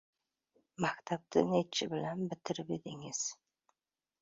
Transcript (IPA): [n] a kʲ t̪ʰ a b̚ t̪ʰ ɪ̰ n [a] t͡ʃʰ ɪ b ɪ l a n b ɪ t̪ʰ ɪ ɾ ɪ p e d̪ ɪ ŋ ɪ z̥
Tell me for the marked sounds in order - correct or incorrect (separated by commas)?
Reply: incorrect, incorrect